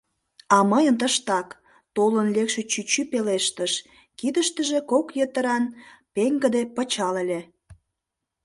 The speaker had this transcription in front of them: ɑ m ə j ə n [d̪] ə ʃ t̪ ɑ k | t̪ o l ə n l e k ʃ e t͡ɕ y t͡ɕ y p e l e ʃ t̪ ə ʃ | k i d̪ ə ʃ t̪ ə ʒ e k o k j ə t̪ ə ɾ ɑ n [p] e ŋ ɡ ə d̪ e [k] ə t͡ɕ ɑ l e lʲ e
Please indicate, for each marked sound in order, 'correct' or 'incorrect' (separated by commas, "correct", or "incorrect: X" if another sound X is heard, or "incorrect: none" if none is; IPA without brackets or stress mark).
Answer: incorrect: t̪, correct, incorrect: p